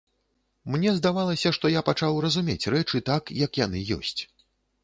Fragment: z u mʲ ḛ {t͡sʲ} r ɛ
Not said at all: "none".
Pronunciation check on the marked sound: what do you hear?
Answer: t͡sʲ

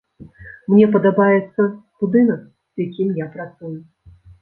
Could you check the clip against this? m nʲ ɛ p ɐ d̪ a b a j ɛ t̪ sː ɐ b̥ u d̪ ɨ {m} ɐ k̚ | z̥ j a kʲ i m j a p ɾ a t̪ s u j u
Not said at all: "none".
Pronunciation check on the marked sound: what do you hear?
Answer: n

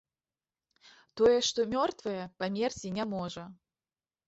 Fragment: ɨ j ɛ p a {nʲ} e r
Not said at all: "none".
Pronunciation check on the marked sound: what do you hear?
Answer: mʲ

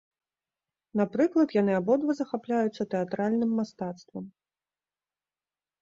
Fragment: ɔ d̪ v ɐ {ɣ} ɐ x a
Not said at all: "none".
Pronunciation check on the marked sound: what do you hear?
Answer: z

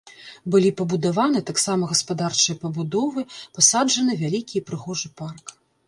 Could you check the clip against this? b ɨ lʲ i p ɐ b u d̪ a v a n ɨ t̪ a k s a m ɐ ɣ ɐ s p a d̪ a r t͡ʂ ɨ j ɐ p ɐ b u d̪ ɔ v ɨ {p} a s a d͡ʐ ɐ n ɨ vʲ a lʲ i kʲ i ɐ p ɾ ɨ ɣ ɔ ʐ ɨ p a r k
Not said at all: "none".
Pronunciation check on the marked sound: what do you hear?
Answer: p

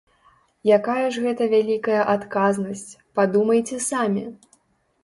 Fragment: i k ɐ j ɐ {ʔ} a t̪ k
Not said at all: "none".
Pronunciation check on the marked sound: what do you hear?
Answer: ʔ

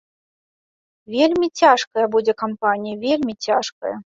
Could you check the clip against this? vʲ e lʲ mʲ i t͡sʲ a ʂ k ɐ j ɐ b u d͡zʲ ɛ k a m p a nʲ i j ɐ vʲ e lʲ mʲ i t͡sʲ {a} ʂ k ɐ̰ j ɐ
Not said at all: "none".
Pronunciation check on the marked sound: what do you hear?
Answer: a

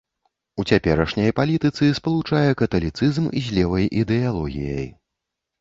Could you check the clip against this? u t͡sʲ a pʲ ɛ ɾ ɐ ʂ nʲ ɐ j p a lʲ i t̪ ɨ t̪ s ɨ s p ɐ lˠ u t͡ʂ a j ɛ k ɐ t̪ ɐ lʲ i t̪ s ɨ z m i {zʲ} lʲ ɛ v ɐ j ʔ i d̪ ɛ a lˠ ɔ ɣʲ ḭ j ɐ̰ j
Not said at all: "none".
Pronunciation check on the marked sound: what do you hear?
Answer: zʲ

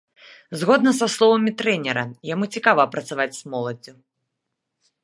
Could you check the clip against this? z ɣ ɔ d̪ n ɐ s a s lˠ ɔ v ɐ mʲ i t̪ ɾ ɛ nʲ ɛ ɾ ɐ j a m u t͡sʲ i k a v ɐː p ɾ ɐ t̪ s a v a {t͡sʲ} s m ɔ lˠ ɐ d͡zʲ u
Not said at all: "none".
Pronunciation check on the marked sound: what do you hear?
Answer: t͡sʲ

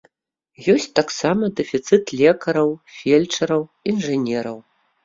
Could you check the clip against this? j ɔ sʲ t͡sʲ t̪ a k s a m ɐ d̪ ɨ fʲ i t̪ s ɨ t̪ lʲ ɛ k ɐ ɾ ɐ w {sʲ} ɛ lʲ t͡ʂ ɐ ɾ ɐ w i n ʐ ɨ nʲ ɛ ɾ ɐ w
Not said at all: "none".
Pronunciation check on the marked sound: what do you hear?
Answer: fʲ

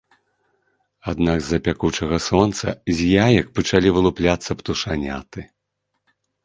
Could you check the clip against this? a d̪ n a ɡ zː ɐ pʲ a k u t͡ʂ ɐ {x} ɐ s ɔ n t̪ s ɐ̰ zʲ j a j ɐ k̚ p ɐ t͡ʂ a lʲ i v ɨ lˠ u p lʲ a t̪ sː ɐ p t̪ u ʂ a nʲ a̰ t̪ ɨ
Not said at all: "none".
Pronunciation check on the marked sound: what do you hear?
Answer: ɣ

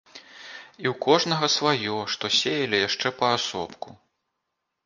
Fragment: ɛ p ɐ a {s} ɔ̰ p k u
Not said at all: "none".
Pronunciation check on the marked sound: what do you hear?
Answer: s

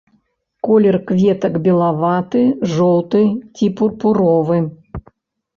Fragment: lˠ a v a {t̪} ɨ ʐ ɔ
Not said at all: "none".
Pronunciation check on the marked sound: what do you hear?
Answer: t̪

